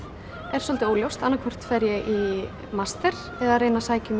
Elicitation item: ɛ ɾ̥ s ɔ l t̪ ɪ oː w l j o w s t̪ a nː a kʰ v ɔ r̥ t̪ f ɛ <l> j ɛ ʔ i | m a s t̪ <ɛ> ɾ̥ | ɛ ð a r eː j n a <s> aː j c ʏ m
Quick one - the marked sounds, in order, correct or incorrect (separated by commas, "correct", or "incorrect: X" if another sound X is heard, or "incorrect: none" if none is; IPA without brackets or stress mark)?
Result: incorrect: ɾ, correct, correct